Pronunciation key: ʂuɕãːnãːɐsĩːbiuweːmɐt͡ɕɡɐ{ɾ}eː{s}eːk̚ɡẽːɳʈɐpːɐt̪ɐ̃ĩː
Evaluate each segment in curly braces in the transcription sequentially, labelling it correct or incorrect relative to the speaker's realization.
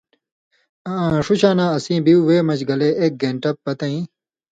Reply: incorrect: l, incorrect: none

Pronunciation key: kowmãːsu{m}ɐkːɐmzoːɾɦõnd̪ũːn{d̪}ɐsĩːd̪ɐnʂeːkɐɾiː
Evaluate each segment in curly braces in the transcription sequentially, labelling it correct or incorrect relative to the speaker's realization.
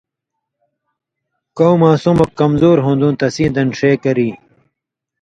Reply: correct, incorrect: t̪

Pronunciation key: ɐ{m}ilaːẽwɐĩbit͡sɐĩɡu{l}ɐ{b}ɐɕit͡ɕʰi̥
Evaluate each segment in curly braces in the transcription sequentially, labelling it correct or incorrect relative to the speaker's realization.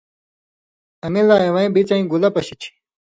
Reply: correct, correct, incorrect: p

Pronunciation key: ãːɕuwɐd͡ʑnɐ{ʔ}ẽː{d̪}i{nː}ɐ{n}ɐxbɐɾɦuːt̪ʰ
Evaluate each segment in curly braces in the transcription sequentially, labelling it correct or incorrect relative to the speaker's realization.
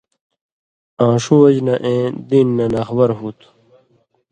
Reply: correct, correct, correct, correct

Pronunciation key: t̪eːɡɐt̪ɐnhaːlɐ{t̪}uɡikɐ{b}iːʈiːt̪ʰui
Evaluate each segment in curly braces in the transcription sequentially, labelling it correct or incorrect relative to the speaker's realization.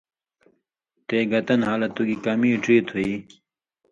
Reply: correct, incorrect: m

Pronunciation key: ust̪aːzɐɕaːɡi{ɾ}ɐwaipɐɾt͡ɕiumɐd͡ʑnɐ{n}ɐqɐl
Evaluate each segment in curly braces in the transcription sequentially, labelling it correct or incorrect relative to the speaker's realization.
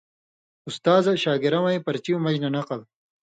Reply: correct, correct

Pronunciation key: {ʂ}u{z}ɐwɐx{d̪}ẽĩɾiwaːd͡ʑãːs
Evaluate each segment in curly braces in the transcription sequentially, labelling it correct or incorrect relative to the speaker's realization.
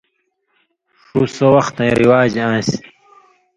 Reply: correct, incorrect: s, incorrect: t̪

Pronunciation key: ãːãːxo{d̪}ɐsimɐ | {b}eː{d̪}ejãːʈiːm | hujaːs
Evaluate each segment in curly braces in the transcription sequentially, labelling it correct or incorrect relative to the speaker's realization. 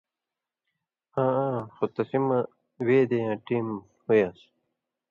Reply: incorrect: t̪, incorrect: w, correct

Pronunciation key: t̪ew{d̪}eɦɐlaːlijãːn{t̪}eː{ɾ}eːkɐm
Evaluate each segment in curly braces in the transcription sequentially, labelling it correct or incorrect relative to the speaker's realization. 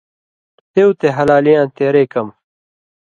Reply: incorrect: t̪, correct, correct

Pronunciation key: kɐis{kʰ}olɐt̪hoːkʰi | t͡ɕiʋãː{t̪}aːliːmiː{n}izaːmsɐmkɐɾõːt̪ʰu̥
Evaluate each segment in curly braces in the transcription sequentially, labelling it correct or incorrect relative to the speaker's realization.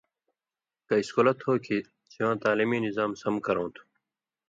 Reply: incorrect: k, correct, correct

